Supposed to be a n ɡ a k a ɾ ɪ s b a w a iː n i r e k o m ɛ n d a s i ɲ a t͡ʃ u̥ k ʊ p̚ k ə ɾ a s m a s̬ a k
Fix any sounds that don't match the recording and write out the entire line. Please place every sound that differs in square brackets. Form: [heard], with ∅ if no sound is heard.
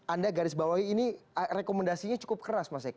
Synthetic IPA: a n [d] a [ɡ] a ɾ ɪ s b a w a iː n i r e k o m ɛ n d a s i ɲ a t͡ʃ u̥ k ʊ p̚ k ə ɾ a s m a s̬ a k